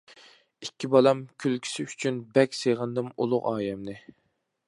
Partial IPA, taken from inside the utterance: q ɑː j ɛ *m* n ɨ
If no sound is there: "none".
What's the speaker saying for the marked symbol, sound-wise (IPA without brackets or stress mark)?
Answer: m